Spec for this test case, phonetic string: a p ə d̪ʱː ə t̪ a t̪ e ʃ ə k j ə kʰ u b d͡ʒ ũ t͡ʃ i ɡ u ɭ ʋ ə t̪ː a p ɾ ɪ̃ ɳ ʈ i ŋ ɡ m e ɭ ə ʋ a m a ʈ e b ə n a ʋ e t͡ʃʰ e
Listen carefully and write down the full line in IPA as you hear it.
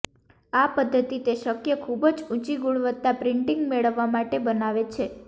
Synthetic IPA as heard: a p ə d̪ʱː ə t̪ i t̪ e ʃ ə k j ə kʰ u b d͡ʒ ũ t͡ʃ i ɡ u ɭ ʋ ə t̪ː a p ɾ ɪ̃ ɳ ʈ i ŋ ɡ m e ɭ ə ʋː a m a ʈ e b ə n a ʋ e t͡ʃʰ e